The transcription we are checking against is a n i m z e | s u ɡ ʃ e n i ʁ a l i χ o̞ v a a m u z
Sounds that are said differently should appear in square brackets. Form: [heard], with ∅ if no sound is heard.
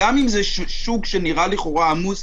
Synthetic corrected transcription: a [m] i m z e | [ʃ] u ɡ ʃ e n i ʁ a l i χ o̞ [ʁ] a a m u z